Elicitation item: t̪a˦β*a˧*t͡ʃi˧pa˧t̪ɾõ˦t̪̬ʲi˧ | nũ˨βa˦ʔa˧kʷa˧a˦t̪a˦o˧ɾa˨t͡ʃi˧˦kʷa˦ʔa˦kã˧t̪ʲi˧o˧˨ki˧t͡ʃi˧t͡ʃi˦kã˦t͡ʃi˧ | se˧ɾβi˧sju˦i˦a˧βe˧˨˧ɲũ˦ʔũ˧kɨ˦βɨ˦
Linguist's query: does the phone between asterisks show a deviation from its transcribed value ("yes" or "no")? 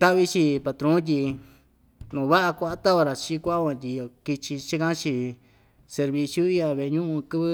yes